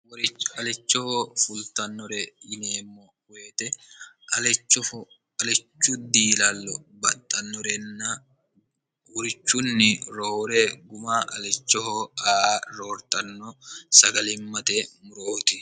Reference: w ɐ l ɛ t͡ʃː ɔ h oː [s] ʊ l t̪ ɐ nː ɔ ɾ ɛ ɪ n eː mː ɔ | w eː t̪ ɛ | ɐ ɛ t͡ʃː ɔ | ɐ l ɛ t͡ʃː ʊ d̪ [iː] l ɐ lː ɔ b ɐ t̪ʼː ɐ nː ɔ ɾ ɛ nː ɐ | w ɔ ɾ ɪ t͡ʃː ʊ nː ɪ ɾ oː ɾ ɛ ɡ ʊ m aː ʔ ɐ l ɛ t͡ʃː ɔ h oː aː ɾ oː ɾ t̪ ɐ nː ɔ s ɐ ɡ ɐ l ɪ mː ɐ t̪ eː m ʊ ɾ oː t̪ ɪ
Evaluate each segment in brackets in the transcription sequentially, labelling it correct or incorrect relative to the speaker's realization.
incorrect, correct

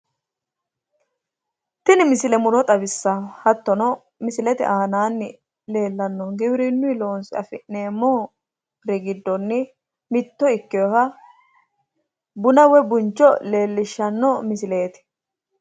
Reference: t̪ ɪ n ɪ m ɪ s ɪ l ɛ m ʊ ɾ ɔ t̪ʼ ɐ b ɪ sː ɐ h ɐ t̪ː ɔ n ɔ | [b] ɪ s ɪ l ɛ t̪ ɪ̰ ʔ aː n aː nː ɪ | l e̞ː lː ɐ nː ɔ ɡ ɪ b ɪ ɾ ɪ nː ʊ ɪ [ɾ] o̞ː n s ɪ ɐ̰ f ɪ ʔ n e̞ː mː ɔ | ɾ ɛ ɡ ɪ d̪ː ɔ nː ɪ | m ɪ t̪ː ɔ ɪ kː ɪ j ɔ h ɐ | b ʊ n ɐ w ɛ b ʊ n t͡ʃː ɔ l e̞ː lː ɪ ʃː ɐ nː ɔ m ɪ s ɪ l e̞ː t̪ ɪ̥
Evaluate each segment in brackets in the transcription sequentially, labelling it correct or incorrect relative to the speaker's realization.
incorrect, incorrect

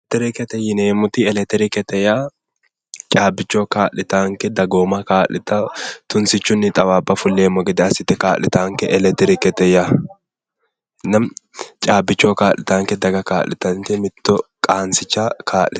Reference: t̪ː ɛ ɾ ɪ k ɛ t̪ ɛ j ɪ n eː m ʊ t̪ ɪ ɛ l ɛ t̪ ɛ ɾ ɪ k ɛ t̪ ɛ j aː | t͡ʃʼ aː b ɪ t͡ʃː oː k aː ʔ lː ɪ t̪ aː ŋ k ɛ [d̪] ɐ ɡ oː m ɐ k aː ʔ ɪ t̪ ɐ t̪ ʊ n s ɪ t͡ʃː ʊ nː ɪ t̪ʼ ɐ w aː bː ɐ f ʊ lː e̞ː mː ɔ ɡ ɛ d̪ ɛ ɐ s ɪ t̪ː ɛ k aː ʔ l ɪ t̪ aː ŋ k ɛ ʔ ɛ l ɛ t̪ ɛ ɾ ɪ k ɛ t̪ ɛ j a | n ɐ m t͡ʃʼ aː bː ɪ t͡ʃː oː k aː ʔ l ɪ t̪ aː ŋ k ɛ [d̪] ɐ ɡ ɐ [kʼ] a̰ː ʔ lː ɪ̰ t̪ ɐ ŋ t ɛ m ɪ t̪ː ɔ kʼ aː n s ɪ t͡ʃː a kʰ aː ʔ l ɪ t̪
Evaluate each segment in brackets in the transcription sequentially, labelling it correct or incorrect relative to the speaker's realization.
correct, correct, incorrect

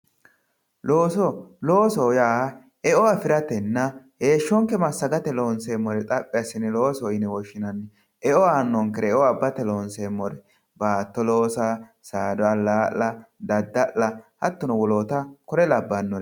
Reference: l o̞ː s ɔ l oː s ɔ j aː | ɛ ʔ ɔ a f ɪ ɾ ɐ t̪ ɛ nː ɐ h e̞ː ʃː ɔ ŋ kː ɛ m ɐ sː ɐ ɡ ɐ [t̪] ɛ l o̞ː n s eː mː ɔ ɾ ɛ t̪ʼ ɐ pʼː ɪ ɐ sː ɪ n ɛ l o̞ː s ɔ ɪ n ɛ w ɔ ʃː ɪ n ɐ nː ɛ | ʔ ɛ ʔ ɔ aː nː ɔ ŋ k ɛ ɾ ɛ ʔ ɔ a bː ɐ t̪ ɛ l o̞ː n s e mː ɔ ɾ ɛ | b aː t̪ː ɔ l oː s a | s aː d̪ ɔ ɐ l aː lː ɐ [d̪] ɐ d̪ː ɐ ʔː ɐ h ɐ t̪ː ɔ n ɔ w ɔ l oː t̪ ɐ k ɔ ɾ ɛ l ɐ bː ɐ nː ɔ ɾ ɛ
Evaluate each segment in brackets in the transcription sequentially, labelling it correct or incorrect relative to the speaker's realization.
correct, correct

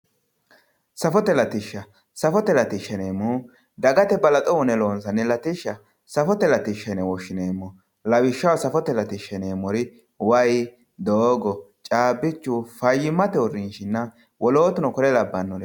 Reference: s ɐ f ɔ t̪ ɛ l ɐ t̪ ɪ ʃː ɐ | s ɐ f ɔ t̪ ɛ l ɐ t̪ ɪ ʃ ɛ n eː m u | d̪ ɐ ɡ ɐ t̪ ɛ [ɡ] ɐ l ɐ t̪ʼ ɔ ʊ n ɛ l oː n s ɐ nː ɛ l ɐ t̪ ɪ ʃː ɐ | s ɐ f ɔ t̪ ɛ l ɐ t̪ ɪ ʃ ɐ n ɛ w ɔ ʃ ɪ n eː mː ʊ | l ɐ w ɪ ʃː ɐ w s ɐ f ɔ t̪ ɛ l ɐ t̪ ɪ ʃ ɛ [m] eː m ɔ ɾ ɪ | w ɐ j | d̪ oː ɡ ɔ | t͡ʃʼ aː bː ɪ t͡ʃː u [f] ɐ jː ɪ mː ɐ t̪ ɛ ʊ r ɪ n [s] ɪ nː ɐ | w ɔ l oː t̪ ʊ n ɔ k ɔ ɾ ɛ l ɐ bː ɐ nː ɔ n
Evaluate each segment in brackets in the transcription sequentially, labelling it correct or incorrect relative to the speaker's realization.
incorrect, incorrect, correct, incorrect

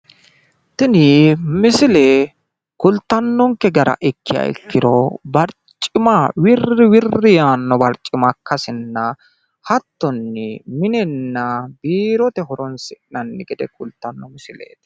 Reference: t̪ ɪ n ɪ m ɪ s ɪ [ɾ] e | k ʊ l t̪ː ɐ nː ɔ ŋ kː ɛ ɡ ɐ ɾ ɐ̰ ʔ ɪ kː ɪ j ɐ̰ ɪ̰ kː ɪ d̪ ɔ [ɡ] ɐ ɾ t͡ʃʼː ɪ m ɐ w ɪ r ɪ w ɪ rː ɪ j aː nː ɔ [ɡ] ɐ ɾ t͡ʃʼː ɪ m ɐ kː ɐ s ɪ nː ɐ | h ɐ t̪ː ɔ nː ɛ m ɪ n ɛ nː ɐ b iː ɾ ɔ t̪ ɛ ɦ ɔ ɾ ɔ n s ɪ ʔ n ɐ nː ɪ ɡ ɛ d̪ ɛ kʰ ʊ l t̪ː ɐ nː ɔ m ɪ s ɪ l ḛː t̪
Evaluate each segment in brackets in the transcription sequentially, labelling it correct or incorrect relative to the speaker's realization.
incorrect, incorrect, incorrect

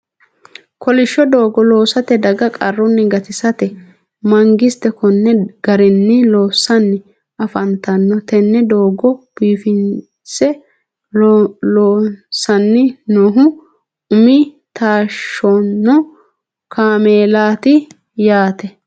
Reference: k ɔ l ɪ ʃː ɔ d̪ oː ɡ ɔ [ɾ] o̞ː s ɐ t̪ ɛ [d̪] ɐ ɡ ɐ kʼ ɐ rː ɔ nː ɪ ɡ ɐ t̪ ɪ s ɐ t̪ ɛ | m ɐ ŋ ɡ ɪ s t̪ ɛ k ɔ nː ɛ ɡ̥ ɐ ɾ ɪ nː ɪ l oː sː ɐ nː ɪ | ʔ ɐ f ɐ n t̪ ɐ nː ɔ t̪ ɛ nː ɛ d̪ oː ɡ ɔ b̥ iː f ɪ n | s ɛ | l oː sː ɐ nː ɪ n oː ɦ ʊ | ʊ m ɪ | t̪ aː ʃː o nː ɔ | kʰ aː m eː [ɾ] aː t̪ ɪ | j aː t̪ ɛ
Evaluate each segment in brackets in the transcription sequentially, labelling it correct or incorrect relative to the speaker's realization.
incorrect, correct, incorrect

